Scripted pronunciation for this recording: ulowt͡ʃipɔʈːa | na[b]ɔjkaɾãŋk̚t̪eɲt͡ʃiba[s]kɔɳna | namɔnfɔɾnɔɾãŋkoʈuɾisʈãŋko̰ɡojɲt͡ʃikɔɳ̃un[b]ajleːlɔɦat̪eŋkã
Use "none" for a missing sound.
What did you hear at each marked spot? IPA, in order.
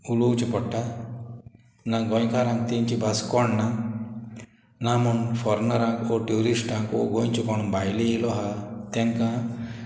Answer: ɡ, s, b

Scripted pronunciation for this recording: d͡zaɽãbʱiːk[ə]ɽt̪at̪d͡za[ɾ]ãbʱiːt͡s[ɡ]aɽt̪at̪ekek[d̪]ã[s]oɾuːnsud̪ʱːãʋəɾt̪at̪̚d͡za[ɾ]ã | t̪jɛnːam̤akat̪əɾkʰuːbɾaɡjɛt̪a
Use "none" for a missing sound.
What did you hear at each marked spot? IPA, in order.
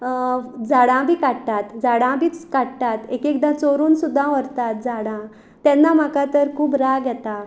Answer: a, ɽ, k, d̪, t͡s, ɽ

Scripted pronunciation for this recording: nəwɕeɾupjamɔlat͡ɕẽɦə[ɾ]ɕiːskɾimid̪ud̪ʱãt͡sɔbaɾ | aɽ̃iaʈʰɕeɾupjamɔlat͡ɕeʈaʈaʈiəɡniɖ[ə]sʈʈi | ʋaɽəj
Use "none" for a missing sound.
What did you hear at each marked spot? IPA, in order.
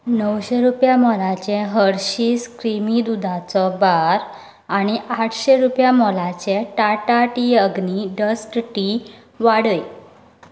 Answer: ɾ, ə

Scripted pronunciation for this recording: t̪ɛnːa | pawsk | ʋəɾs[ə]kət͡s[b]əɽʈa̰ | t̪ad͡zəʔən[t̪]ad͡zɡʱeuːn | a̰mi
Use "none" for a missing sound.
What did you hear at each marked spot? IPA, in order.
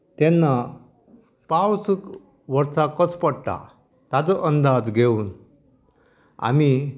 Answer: a, p, d̪

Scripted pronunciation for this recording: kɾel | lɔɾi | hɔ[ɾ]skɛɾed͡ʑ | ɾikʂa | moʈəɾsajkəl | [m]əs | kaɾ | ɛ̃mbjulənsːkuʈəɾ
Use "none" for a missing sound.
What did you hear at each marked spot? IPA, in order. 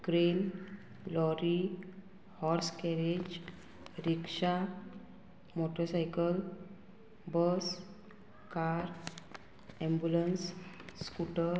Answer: ɾ, b

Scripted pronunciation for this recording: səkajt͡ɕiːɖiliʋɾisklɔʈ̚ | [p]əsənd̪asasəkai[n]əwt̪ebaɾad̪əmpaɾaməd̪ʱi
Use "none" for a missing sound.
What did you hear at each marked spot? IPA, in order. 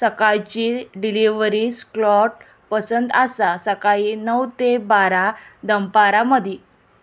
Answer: p, n

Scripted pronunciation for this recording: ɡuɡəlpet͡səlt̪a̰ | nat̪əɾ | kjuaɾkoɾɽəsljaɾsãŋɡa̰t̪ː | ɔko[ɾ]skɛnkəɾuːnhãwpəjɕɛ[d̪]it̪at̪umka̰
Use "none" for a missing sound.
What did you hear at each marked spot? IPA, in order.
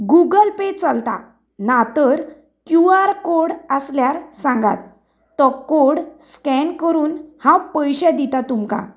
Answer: ɽ, d̪

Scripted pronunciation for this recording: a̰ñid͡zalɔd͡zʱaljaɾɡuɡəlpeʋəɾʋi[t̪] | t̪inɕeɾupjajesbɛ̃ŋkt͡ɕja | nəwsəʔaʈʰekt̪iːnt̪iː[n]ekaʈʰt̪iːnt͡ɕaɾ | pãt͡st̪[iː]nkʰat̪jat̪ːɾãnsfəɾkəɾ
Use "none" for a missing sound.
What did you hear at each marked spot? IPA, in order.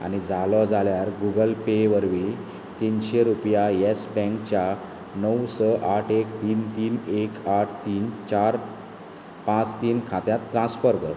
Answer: none, n, iː

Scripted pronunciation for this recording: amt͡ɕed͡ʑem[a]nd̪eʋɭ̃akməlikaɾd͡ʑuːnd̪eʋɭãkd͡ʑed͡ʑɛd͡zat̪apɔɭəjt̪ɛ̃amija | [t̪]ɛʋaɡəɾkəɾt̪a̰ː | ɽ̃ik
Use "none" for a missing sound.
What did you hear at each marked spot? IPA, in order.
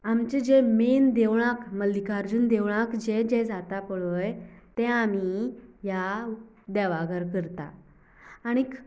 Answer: e, d̪

